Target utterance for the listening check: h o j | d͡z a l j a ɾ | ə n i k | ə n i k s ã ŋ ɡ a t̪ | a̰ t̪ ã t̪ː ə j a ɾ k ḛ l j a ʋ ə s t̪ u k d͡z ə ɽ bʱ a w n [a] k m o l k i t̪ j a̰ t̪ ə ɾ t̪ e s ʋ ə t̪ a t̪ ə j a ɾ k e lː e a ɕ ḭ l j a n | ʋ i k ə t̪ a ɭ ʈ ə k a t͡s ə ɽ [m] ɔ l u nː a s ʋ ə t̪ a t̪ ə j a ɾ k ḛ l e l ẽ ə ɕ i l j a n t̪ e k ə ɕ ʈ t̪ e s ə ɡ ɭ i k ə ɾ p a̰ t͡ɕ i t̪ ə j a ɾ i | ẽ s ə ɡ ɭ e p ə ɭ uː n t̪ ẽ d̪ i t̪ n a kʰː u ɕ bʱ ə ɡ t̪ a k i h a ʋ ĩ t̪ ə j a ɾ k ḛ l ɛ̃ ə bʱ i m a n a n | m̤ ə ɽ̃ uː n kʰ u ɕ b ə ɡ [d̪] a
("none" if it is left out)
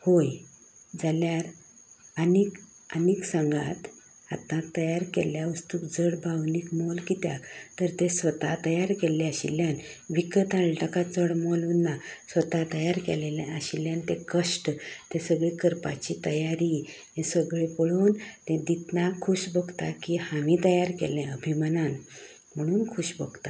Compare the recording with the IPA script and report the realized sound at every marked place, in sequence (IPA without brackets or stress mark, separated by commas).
i, m, t̪